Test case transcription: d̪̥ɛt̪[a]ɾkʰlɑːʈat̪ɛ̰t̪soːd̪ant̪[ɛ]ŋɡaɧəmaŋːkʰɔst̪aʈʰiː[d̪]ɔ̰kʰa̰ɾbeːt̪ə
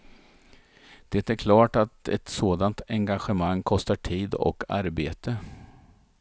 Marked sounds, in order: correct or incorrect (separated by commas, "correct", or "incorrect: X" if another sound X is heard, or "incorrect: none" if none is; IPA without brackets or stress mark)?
incorrect: æ, correct, correct